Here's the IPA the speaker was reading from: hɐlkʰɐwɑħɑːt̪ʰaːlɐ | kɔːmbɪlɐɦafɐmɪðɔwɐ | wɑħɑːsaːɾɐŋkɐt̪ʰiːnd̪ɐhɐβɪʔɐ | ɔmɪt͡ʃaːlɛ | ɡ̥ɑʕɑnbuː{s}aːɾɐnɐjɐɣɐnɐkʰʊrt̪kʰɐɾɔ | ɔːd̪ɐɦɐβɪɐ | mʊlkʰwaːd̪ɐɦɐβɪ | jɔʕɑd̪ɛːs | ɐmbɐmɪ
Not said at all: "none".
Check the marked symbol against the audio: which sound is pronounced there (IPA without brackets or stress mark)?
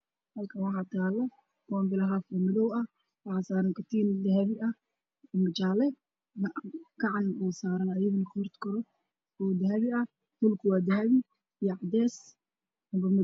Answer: s